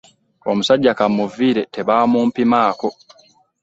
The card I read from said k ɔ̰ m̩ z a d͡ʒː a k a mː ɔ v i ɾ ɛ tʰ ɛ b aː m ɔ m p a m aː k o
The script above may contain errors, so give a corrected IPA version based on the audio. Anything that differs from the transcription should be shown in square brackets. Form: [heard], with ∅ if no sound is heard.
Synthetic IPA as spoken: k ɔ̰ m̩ [s] a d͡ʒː a k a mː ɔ v i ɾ ɛ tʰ ɛ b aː m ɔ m p [i] m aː k [ɔ]